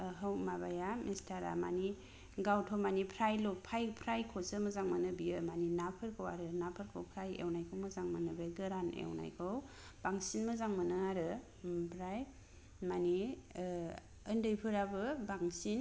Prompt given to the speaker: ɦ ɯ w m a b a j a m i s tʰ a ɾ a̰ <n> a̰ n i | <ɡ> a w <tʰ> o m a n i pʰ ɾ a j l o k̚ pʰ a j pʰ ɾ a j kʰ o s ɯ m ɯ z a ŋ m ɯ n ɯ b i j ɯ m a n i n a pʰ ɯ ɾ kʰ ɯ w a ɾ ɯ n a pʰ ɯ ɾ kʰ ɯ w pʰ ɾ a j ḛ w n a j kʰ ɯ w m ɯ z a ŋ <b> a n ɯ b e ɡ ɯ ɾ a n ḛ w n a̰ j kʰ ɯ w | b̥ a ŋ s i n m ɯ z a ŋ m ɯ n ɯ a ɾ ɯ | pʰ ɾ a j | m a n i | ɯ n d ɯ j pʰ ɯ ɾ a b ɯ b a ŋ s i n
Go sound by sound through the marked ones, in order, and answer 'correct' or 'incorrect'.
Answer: incorrect: m, correct, correct, incorrect: m

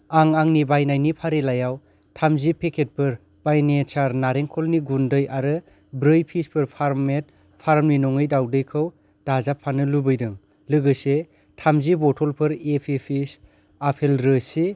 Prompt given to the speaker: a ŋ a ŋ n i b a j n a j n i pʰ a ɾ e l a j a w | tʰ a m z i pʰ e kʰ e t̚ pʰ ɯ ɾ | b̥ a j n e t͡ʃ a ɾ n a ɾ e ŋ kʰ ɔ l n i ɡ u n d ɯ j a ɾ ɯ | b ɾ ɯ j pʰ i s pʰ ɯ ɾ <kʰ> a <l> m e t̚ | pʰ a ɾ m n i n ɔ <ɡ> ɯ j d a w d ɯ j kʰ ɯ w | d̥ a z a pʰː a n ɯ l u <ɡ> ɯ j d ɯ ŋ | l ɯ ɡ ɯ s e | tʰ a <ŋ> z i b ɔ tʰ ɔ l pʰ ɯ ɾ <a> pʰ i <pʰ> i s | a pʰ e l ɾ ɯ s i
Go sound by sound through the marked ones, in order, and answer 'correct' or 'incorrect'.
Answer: incorrect: pʰ, incorrect: ɾ, incorrect: ŋ, incorrect: b, incorrect: m, incorrect: e, correct

